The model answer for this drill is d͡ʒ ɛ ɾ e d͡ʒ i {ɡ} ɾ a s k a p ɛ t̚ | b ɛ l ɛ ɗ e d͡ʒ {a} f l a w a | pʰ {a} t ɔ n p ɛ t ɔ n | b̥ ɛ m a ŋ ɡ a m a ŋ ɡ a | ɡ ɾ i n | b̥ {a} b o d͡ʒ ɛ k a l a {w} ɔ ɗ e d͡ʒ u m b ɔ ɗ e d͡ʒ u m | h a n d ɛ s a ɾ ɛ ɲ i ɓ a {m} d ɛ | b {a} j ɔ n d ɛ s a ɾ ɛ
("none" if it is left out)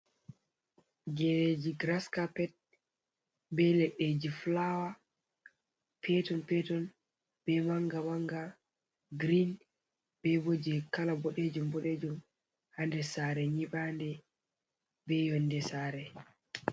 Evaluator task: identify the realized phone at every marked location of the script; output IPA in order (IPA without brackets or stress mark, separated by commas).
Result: ɡ, i, ɛ, ɛ, b, n, ɛ